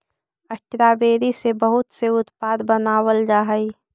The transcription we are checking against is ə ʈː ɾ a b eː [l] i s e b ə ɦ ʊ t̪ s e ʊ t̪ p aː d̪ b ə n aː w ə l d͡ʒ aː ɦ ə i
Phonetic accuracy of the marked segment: incorrect: ɾ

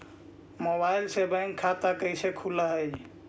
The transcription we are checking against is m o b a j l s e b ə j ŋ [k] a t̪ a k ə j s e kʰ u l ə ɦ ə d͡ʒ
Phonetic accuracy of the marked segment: incorrect: kʰ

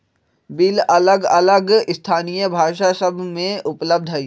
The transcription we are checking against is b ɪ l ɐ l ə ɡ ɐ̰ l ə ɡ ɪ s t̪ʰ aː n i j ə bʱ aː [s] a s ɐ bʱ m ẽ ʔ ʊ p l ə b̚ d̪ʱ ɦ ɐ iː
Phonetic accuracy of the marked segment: incorrect: ʃ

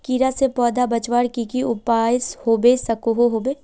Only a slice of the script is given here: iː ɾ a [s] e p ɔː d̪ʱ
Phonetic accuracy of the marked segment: correct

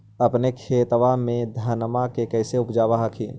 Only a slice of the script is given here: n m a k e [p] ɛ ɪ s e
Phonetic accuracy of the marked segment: incorrect: k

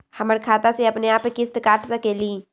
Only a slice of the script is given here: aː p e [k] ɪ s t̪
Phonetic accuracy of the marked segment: correct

